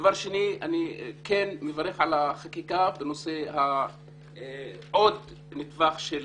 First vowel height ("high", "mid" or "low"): low